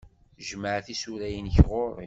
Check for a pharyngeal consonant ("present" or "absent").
present